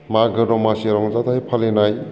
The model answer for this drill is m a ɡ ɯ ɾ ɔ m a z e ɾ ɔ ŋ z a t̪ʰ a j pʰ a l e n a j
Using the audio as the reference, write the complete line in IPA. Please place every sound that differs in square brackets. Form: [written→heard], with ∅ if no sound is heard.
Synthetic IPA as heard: m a ɡ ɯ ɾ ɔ m a [z→s] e ɾ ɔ ŋ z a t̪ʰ a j pʰ a l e n a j